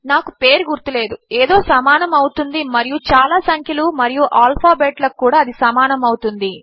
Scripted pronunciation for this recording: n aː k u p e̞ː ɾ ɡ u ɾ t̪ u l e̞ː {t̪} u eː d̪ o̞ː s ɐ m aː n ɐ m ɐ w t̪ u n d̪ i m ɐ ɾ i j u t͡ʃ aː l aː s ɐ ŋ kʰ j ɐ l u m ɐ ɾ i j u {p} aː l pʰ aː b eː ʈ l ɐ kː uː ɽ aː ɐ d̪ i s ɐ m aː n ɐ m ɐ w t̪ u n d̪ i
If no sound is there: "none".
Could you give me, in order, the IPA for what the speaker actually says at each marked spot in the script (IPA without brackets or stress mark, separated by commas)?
d̪, ʔ